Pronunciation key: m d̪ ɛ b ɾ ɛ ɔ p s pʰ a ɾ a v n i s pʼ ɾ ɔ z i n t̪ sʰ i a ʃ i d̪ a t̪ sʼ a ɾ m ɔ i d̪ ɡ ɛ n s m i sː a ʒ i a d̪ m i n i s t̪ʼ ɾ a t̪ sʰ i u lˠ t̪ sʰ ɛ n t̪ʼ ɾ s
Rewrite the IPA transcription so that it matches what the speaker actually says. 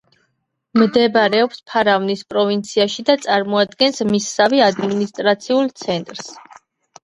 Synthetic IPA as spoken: m d̪ ɛ b ɾ ɛ ɔ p s pʰ a ɾ a v n i s pʼ ɾ ɔ v i n t̪ sʰ i a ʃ i d̪ a t̪ sʼ a ɾ m ɔ a d̪ ɡ ɛ n s m i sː a v i a d̪ m i n i s t̪ʼ ɾ a t̪ sʰ i u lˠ t̪ sʰ ɛ n t̪ʼ ɾ s

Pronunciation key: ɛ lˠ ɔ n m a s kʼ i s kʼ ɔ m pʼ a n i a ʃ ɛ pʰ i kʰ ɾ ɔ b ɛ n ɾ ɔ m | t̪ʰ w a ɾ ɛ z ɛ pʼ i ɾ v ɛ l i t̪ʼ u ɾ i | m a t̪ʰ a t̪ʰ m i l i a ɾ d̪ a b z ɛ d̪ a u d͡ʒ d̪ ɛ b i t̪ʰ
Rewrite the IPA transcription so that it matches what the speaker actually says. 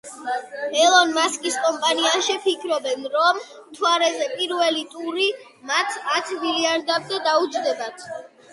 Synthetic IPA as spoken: ɛ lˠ ɔ n m a s kʼ i s kʼ ɔ m pʼ a n i a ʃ ɛ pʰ i kʰ ɾ ɔ b ɛ n ɾ ɔ m | t̪ʰ w a ɾ ɛ z ɛ pʼ i ɾ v ɛ l i t̪ʼ u ɾ i | m a t̪ʰ a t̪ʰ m i l i a ɾ d̪ a b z ɛ d̪ a u d͡ʒ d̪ ɛ b a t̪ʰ

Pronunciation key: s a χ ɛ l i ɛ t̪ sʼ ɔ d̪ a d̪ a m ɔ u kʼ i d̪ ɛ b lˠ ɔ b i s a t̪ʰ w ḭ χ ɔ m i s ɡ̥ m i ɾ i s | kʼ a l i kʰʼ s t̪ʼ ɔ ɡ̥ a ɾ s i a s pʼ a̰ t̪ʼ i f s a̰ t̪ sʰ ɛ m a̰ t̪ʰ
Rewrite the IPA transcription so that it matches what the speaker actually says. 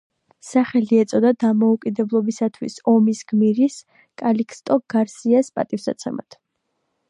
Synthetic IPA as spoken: s a χ ɛ l i ɛ t̪ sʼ ɔ d̪ a d̪ a m ɔ u kʼ i d̪ ɛ b lˠ ɔ b i s a t̪ʰ w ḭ s ɔ m i s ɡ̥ m i ɾ i s | kʼ a l i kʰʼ s t̪ʼ ɔ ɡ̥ a ɾ s i a s pʼ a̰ t̪ʼ i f s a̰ t̪ sʰ ɛ m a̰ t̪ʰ

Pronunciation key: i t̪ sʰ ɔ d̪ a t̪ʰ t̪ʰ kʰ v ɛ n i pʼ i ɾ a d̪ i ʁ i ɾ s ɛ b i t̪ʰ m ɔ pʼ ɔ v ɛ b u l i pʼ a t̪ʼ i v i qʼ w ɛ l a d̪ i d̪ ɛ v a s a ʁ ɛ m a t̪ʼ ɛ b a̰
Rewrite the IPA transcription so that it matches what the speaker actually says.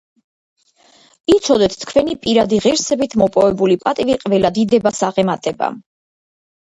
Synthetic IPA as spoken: i t̪ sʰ ɔ d̪ ɛ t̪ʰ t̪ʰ kʰ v ɛ n i pʼ i ɾ a d̪ i ʁ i ɾ s ɛ b i t̪ʰ m ɔ pʼ ɔ v ɛ b u l i pʼ a t̪ʼ i v i qʼ v ɛ l a d̪ i d̪ ɛ b a s a ʁ ɛ m a t̪ʼ ɛ b a̰

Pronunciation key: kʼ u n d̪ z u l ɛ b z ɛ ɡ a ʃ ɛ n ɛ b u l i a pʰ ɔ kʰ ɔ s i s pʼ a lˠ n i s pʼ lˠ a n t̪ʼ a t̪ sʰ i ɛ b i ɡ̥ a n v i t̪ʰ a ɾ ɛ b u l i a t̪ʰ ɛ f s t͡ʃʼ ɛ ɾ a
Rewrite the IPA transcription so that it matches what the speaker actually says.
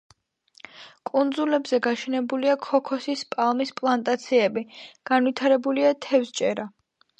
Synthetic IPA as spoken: kʼ u n d̪ z u l ɛ b z ɛ ɡ a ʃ ɛ n ɛ b u l i a kʰ ɔ kʰ ɔ s i s pʼ a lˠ m i s pʼ lˠ a n t̪ʼ a t̪ sʰ i ɛ b i ɡ̥ a n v i t̪ʰ a ɾ ɛ b u l i a t̪ʰ ɛ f s t͡ʃʼ ɛ ɾ a

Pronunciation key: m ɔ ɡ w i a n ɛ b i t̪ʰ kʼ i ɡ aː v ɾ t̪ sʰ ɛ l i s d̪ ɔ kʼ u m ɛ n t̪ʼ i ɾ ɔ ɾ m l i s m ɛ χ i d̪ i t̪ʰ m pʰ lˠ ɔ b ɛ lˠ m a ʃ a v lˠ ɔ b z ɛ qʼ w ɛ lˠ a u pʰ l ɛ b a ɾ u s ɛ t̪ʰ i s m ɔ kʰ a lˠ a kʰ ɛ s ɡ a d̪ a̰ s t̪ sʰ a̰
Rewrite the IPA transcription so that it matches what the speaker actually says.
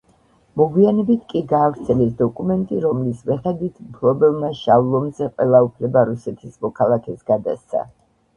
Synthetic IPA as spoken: m ɔ ɡ w i a n ɛ b i t̪ʰ kʼ i ɡ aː v ɾ t̪ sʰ ɛ l ɛ s d̪ ɔ kʼ u m ɛ n t̪ʼ i ɾ ɔ m l i s m ɛ χ ɛ d̪ i t̪ʰ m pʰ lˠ ɔ b ɛ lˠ m a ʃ a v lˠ ɔ m z ɛ qʼ w ɛ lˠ a u pʰ l ɛ b a ɾ u s ɛ t̪ʰ i s m ɔ kʰ a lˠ a kʰ ɛ s ɡ a d̪ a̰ s t̪ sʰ a̰

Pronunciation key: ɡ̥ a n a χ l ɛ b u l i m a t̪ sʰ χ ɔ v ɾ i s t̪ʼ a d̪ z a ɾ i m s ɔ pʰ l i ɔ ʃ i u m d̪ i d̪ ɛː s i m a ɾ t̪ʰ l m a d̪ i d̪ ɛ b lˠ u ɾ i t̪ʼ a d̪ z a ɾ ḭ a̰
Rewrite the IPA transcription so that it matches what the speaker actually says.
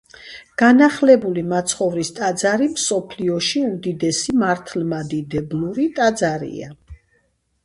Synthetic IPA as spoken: ɡ̥ a n a χ l ɛ b u l i m a t̪ sʰ χ ɔ v ɾ i s t̪ʼ a d̪ z a ɾ i m s ɔ pʰ l i ɔ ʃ i u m d̪ i d̪ ɛ s i m a ɾ t̪ʰ l m a d̪ i d̪ ɛ b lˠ u ɾ i t̪ʼ a d̪ z a ɾ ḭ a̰

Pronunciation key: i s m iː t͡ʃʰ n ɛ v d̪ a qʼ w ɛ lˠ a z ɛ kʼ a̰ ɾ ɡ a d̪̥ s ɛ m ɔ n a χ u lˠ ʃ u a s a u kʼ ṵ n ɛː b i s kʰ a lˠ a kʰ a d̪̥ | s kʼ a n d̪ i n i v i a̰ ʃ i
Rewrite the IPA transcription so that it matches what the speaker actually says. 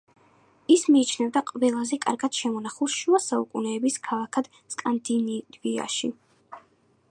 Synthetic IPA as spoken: i s m iː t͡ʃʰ n ɛ v d̪ a qʼ v ɛ lˠ a z ɛ kʼ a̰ ɾ ɡ a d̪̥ ʃ ɛ m ɔ n a χ u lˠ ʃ u a s a u kʼ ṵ n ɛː b i s kʰ a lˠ a kʰ a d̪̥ | s kʼ a n d̪ i n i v i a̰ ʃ i

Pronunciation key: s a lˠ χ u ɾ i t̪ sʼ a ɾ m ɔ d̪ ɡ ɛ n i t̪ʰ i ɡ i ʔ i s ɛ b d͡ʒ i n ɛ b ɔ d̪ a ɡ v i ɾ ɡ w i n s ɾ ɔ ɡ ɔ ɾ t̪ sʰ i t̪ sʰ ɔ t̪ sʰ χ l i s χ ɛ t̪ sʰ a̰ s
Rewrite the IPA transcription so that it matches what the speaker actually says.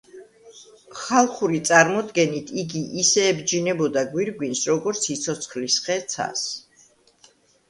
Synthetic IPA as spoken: χ a lˠ χ u ɾ i t̪ sʼ a ɾ m ɔ d̪ ɡ ɛ n i t̪ʰ i ɡ i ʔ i s ɛː b d͡ʒ i n ɛ b ɔ d̪ a ɡ w i ɾ ɡ w i n s ɾ ɔ ɡ ɔ ɾ t̪ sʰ i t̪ sʰ ɔ t̪ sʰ χ l i s χ ɛ t̪ sʰ a̰ s

